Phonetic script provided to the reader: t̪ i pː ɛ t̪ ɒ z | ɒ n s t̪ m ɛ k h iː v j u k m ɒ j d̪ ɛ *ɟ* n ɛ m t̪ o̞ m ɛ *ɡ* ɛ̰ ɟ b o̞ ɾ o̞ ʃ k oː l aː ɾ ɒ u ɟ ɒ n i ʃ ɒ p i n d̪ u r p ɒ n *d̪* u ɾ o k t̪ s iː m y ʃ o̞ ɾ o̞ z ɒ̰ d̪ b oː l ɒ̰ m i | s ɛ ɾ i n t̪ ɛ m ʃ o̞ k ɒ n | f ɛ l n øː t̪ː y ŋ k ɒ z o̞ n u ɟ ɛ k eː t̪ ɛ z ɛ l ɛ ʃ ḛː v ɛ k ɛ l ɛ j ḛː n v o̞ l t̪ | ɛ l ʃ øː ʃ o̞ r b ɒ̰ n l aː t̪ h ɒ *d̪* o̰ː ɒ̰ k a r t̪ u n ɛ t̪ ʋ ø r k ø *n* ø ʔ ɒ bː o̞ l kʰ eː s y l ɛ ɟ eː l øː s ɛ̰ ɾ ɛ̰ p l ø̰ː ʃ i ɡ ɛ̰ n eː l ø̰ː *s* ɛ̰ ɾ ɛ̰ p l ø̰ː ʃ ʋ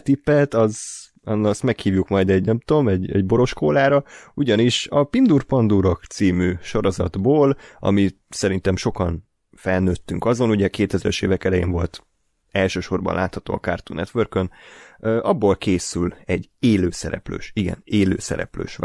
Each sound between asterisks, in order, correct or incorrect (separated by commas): correct, incorrect, correct, incorrect, correct, correct